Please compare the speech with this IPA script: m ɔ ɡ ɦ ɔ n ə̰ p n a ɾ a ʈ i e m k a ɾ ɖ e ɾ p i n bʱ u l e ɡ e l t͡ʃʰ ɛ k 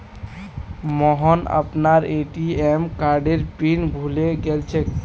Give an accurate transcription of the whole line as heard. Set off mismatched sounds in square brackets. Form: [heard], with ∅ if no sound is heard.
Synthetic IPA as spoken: m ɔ [∅] ɦ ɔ n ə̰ p n a ɾ [e] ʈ i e m k a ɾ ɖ e ɾ p i n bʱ u l e ɡ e l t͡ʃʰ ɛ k